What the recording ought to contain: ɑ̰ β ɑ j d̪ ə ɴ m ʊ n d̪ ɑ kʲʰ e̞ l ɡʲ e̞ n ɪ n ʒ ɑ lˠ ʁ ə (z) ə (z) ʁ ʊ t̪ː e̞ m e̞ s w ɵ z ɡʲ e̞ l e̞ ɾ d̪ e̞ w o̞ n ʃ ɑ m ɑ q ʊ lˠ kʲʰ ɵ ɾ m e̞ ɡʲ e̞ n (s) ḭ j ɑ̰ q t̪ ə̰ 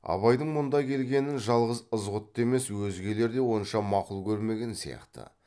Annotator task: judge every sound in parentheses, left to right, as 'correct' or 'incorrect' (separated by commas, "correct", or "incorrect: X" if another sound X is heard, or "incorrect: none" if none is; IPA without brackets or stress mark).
correct, correct, correct